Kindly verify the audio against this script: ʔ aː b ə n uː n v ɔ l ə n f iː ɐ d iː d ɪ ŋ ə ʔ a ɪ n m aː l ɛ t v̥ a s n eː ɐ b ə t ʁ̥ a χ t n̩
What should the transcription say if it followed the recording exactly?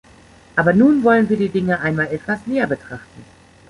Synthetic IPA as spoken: ʔ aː b ɐ n uː n v ɔ l ə n v iː ɐ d iː d ɪ ŋ ə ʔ a ɪ n m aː l ɛ t v̥ a s n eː ɐ b ə t ʁ̥ a χ t n̩